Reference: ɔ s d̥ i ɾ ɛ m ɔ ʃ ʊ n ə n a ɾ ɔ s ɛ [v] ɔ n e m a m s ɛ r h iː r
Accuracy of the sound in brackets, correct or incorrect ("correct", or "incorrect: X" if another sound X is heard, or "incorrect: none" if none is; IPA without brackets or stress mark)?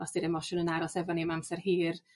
correct